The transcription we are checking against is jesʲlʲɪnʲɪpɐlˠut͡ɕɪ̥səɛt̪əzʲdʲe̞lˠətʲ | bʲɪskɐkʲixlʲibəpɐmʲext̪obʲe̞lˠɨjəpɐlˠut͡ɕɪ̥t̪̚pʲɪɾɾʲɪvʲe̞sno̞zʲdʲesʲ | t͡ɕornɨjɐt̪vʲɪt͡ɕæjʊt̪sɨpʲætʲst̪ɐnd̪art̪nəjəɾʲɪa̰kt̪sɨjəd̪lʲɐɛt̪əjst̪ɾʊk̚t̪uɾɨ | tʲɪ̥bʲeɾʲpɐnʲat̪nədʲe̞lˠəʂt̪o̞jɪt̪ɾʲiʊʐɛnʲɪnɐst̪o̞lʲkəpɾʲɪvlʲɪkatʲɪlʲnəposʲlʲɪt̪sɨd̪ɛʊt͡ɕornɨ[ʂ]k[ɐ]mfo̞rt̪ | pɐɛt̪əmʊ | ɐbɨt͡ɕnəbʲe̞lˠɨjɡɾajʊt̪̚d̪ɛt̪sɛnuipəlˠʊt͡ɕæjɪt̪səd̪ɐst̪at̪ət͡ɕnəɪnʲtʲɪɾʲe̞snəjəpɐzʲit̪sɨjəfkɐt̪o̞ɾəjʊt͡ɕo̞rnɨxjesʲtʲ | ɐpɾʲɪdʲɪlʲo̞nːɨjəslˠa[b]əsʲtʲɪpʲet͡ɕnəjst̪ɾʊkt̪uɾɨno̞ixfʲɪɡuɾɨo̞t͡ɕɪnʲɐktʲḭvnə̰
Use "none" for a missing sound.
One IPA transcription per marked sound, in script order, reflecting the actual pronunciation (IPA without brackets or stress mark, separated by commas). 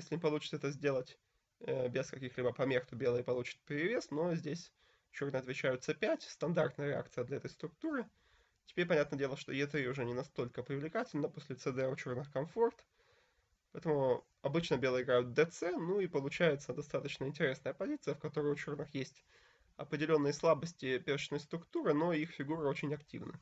x, ɐ, b